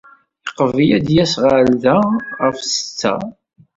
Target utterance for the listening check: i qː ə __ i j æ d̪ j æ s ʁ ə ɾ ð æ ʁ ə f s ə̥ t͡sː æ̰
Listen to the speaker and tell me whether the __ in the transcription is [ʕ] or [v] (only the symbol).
v